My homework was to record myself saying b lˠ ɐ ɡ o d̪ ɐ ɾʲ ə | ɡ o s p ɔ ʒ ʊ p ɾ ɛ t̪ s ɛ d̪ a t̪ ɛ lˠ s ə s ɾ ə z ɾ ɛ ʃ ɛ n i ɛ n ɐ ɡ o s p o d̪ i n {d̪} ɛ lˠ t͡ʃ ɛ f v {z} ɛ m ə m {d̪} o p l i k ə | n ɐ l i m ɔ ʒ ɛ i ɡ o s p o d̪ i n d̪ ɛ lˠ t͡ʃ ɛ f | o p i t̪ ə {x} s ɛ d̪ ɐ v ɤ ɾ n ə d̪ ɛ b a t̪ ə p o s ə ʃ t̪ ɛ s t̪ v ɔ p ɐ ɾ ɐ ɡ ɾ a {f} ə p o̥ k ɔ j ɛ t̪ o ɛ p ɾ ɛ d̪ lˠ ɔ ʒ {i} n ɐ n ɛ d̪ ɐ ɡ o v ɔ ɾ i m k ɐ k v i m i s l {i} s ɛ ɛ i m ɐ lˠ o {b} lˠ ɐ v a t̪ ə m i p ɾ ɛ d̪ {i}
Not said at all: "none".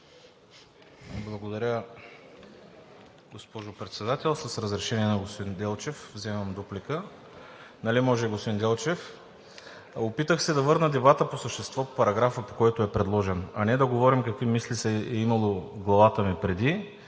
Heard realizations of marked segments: d̪, z, d̪, x, f, ɛ, i, ɡ, i

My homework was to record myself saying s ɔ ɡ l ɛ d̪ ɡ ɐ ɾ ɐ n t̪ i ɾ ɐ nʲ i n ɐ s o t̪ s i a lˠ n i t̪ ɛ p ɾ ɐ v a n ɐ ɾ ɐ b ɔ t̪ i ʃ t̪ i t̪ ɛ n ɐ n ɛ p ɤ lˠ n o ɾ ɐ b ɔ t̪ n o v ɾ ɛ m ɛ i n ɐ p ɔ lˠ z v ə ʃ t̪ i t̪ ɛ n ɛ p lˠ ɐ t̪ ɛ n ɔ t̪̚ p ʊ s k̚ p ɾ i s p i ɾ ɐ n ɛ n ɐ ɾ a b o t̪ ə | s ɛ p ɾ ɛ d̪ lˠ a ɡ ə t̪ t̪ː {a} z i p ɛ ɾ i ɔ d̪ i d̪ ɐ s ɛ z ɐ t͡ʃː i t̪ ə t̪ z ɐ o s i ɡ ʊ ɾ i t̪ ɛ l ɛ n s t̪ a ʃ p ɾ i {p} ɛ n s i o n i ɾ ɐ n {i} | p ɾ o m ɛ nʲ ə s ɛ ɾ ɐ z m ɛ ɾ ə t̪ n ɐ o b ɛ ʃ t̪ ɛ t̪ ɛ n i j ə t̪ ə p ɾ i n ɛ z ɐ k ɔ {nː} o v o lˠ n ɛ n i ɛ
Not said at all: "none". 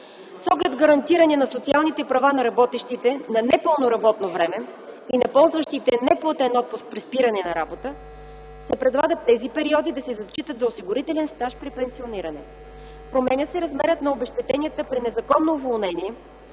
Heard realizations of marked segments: ɛ, p, ɛ, nː

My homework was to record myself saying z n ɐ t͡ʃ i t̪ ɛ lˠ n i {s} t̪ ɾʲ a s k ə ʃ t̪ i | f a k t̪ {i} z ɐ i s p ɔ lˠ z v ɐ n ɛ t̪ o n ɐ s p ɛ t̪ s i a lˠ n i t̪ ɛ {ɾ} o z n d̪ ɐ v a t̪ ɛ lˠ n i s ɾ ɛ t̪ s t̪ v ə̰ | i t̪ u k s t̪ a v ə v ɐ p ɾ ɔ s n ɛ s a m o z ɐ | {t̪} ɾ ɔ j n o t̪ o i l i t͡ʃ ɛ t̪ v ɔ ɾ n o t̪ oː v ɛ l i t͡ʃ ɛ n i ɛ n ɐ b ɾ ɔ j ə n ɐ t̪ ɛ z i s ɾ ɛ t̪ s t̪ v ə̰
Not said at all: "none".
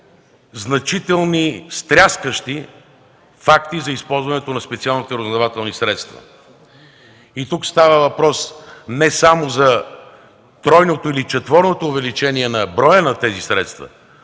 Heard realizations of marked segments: s, i, ɾ, t̪

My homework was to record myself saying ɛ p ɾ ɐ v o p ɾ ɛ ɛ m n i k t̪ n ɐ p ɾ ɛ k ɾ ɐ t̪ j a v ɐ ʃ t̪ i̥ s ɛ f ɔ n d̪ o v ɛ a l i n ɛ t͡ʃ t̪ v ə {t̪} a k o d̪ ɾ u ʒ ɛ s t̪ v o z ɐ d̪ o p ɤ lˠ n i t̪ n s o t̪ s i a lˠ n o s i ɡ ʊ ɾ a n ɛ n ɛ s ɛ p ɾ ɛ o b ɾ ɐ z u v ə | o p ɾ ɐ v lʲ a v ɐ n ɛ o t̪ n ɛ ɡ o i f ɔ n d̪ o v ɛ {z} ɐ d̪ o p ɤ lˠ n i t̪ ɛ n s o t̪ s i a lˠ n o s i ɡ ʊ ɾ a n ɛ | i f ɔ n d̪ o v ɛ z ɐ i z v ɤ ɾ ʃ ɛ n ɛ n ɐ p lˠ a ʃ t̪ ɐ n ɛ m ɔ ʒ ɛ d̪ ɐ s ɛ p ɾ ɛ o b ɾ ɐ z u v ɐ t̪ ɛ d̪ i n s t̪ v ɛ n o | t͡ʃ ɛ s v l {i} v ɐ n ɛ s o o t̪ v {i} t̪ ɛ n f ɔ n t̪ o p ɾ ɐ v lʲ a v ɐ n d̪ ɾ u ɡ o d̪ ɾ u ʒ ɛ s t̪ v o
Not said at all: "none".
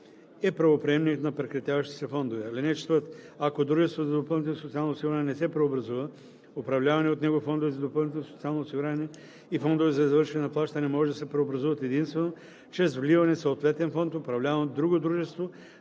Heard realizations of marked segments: t̪, z, i, ɛ

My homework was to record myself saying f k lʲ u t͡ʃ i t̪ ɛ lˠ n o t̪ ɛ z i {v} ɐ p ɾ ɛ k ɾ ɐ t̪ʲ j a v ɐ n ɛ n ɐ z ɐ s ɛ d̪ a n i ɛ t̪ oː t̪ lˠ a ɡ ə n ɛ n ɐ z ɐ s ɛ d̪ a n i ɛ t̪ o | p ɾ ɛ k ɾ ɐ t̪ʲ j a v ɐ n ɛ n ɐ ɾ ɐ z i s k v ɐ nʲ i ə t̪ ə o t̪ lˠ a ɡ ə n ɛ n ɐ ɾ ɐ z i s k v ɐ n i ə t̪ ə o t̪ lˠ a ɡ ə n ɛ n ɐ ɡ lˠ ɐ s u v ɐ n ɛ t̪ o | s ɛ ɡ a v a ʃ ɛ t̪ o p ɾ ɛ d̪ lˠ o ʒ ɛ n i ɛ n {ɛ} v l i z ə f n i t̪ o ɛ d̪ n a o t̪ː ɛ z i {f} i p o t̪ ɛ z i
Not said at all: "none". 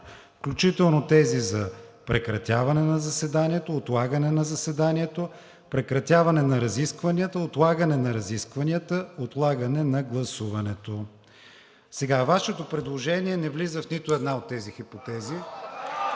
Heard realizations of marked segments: z, ɛ, x

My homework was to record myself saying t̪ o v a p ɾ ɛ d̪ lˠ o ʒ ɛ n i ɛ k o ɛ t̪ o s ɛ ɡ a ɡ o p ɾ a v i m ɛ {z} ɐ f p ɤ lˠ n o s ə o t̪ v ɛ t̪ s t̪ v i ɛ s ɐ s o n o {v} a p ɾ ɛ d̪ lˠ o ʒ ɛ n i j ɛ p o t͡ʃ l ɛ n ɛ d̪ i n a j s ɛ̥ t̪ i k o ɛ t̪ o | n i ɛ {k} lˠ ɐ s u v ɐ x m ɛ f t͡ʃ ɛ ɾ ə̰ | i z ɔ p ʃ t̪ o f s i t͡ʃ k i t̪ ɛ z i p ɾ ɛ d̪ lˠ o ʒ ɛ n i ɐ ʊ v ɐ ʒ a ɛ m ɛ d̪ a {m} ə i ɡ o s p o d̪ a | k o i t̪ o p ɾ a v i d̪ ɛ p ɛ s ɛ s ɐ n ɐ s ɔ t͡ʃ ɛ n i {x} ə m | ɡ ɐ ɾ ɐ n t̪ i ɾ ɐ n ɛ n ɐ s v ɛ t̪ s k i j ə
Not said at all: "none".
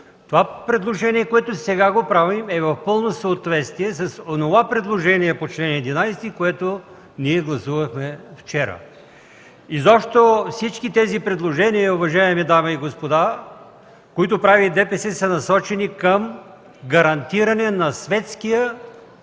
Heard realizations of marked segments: v, v, ɡ, m, k

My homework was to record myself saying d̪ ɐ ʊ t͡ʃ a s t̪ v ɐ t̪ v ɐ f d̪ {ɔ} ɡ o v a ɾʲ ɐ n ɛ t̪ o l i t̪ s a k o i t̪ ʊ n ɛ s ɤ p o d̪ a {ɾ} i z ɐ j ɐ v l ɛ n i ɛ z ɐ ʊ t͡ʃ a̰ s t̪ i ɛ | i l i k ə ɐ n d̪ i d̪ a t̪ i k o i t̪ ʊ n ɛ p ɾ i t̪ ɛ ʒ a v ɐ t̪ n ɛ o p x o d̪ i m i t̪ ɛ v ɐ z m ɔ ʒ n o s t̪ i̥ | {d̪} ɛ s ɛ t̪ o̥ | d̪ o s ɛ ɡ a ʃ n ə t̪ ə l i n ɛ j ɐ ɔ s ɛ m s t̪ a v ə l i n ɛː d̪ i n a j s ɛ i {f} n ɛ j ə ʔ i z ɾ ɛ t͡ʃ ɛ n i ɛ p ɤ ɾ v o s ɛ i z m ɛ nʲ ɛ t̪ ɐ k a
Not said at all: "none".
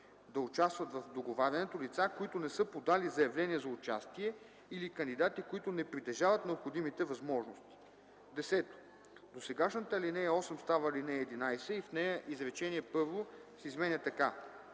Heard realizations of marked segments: o, l, d̪, f

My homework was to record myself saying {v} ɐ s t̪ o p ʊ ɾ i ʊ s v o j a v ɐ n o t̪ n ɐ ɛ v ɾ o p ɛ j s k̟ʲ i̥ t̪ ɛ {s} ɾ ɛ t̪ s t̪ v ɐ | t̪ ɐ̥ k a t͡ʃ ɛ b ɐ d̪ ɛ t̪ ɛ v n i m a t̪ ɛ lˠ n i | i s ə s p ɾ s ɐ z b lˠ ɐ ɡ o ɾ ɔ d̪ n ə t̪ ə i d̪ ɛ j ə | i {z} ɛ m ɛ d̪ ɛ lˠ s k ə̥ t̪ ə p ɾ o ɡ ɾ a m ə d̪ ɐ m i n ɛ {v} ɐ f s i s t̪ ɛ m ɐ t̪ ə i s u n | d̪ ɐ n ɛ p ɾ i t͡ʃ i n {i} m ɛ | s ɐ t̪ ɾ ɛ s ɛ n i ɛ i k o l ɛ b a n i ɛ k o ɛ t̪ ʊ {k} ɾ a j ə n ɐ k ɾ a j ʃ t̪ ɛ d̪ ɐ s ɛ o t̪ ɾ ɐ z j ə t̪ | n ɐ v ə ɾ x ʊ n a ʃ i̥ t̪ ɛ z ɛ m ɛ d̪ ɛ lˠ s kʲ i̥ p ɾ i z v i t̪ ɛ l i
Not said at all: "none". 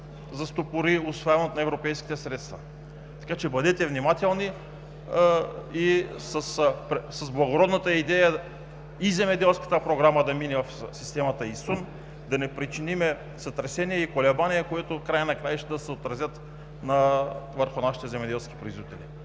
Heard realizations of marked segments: z, s, z, v, i, k

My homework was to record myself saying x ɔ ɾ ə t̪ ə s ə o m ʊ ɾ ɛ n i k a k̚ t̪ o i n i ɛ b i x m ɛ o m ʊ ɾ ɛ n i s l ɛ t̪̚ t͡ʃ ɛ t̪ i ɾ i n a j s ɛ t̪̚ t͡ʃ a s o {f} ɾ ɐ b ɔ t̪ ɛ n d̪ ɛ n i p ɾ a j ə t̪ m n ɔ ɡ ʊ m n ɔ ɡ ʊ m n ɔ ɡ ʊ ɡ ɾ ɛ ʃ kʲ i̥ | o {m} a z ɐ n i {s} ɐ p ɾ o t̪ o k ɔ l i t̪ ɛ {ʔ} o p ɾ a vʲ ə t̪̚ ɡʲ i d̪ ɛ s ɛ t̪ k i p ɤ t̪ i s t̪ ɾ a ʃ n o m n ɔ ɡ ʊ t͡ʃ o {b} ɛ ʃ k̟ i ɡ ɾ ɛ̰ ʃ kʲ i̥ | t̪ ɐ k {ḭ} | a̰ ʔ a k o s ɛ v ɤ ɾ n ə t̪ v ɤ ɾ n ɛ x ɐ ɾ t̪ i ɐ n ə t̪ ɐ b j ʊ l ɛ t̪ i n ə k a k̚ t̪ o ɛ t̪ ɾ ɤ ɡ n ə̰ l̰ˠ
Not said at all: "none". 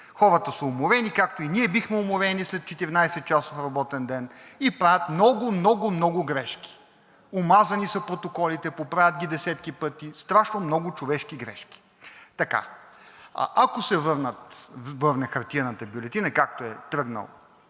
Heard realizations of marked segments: f, m, s, p, v, a̰

